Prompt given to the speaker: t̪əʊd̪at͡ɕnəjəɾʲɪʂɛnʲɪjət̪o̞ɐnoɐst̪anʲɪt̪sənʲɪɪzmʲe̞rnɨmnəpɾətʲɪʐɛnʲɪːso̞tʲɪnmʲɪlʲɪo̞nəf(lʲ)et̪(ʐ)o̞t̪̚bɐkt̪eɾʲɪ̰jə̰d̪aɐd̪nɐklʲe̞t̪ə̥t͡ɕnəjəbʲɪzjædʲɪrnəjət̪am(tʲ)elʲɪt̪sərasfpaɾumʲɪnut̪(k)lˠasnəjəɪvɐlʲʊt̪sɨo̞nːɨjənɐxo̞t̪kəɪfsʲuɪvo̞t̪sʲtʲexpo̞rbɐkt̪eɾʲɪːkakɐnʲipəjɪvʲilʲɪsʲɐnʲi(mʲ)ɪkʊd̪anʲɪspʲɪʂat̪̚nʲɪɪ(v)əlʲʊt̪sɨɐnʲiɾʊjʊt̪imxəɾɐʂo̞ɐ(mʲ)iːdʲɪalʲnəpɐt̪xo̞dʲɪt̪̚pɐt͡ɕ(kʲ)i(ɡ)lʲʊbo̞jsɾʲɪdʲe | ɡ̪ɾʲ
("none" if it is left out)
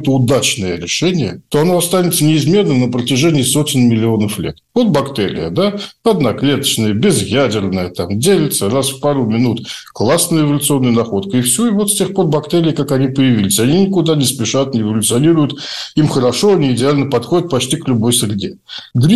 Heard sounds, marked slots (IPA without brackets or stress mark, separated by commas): lʲ, v, dʲ, k, nʲ, v, nʲ, tʲ, k